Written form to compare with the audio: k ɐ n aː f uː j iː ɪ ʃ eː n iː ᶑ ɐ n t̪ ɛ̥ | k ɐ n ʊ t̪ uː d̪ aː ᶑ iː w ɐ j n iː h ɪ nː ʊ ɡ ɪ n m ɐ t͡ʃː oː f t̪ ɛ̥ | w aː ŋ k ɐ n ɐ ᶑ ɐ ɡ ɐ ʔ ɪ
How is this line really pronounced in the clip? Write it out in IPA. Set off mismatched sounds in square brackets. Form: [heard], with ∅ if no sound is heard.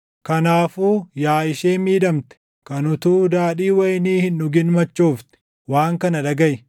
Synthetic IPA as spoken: k ɐ n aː f uː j [aː] ɪ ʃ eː [m] iː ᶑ ɐ [m] t̪ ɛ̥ | k ɐ n ʊ t̪ uː d̪ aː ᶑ iː w ɐ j n iː h ɪ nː ʊ ɡ ɪ n m ɐ t͡ʃː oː f t̪ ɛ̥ | w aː ŋ k ɐ n ɐ ᶑ ɐ ɡ ɐ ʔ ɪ